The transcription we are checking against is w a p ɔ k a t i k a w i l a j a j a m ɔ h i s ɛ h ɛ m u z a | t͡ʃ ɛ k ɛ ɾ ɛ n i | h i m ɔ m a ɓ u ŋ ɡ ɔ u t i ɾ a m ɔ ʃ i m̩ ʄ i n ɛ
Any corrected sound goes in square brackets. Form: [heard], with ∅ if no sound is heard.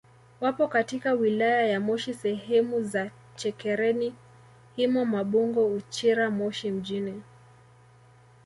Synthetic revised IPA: w a p ɔ k a t i k a w i l a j a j a m ɔ [ʃ] i s ɛ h ɛ m u z a | t͡ʃ ɛ k ɛ ɾ ɛ n i | h i m ɔ m a ɓ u ŋ ɡ ɔ u [t͡ʃ] i ɾ a m ɔ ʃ i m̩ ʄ i n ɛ

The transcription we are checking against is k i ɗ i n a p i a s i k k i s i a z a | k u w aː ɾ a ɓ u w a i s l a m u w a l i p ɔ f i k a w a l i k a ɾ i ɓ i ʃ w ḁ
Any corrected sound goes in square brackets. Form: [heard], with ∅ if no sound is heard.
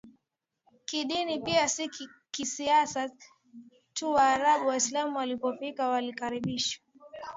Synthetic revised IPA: k i ɗ i n [i] p i a s i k k i s i a [s] a | [t] u w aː ɾ a ɓ u w a i s l a m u w a l i p ɔ f i k a w a l i k a ɾ i ɓ i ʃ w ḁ

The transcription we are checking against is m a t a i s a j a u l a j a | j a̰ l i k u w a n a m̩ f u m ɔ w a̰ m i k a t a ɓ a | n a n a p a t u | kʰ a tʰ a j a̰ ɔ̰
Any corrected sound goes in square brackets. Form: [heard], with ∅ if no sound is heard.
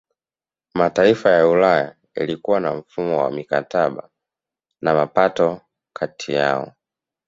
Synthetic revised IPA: m a t a i [f] a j a u l a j a | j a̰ l i k u w a n a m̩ f u m ɔ w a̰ m i k a t a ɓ a | n a [m] a p a t [ɔ] | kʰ a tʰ [i] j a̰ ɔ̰

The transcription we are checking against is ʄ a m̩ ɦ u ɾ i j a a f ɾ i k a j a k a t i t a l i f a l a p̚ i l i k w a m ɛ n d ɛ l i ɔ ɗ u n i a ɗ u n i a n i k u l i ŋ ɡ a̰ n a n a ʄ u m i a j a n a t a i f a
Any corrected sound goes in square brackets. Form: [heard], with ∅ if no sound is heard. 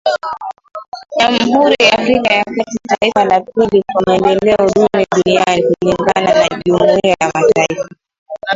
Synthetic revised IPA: ʄ a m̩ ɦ u ɾ i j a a f ɾ i k a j a k a t i t a [∅] i f a l a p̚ i l i k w a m ɛ n d ɛ l [ɛ] ɔ ɗ u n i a ɗ u n i a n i k u l i ŋ ɡ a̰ n a n a ʄ u m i a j a [m] a t a i f a

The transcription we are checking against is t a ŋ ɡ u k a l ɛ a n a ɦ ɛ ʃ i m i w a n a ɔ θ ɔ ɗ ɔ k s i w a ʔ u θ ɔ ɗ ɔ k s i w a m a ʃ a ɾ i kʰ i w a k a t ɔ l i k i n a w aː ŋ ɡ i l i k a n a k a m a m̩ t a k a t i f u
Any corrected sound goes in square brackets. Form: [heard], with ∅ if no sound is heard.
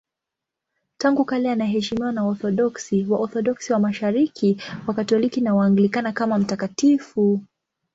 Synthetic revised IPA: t a ŋ ɡ u k a l ɛ a n a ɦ ɛ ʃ i m i w a n a ɔ θ ɔ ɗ ɔ k s i w a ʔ [ɔ] θ ɔ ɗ ɔ k s i w a m a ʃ a ɾ i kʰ i w a k a t ɔ l i k i n a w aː ŋ ɡ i l i k a n a k a m a m̩ t a k a t i f u

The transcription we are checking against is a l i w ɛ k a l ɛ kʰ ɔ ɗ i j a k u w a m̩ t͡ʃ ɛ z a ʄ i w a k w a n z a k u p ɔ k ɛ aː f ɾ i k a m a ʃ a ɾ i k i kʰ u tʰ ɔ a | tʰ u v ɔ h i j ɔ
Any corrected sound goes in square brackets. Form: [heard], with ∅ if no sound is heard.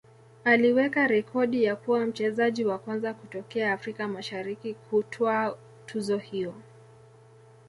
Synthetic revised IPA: a l i w ɛ k a [ɾ] ɛ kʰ ɔ ɗ i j a k u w a m̩ t͡ʃ ɛ z a ʄ i w a k w a n z a k u [t] ɔ k ɛ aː f ɾ i k a m a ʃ a ɾ i k i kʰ u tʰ ɔ a | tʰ u [z] ɔ h i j ɔ

